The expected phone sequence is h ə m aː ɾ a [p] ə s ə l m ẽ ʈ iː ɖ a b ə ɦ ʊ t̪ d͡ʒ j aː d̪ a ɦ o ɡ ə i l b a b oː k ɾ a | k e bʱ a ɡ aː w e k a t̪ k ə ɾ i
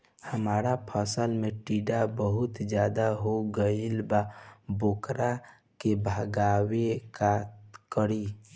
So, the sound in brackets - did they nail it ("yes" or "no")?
no